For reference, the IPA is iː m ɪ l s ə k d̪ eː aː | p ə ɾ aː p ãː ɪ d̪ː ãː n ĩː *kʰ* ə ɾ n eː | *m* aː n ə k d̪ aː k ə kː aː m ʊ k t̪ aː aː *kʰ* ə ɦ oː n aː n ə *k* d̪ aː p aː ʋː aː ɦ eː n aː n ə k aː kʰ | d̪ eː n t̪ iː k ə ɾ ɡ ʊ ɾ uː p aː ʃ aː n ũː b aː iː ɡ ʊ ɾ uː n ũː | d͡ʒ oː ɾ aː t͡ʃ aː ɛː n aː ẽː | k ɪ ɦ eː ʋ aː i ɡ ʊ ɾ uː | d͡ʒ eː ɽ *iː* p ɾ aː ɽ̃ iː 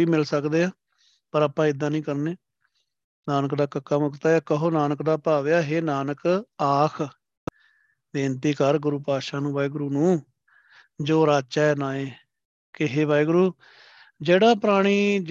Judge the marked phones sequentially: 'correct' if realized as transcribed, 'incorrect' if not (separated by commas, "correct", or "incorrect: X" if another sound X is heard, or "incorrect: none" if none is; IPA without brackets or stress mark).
incorrect: k, incorrect: n, incorrect: k, correct, incorrect: aː